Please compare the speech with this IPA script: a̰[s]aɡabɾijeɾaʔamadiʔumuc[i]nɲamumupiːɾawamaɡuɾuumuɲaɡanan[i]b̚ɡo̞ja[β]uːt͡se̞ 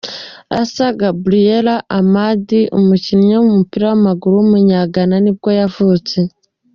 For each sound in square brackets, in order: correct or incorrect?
correct, correct, correct, incorrect

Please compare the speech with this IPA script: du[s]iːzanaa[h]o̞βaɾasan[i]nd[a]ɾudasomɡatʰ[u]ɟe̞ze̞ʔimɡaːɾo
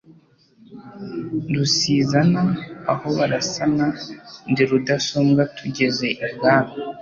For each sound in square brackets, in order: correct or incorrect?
correct, correct, incorrect, incorrect, correct

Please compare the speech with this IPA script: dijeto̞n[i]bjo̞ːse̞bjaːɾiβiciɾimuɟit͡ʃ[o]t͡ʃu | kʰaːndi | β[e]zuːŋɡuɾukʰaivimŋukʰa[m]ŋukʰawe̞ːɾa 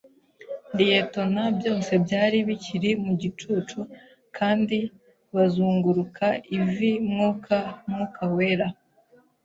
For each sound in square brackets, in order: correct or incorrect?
incorrect, incorrect, incorrect, correct

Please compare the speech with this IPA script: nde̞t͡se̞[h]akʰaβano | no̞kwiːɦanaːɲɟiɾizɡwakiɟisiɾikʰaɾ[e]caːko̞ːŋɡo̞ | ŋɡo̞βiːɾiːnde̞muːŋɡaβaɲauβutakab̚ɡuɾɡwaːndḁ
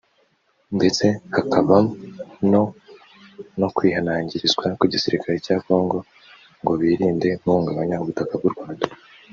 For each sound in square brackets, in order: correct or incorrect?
correct, correct

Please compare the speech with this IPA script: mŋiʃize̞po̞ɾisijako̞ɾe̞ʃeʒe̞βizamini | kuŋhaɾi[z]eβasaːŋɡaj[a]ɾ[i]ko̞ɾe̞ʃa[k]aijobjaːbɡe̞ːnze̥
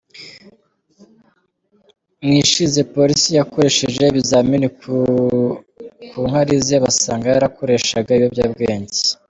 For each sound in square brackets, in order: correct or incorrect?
correct, correct, incorrect, incorrect

